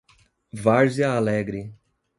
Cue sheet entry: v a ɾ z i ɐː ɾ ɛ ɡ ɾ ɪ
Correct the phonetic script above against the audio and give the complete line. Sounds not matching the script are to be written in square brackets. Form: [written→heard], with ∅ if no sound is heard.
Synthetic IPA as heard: v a ɾ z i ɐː [ɾ→l] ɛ ɡ ɾ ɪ